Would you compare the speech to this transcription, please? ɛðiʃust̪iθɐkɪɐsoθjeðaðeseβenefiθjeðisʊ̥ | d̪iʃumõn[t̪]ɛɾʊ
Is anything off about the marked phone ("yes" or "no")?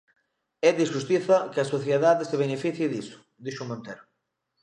no